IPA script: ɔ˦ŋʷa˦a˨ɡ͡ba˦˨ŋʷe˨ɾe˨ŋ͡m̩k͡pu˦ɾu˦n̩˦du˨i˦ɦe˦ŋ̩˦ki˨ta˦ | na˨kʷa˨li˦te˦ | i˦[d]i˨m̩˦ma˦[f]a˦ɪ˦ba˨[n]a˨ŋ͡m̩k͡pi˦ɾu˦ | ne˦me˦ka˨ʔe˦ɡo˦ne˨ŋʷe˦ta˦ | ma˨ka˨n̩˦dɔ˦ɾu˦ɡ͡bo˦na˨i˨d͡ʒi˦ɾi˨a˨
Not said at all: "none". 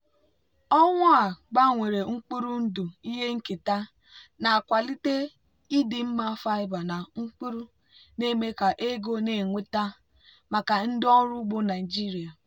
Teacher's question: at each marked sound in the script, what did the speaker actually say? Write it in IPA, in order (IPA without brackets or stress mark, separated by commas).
d, f, n